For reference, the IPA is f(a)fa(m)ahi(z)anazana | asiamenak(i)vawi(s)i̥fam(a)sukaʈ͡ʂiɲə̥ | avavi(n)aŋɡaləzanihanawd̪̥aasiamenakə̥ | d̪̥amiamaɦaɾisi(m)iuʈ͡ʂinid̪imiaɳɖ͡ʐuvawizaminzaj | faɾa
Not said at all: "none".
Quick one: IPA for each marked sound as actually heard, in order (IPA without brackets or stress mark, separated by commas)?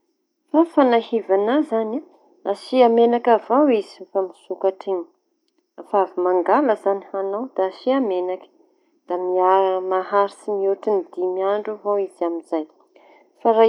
a, n, v, a, z, i, m, m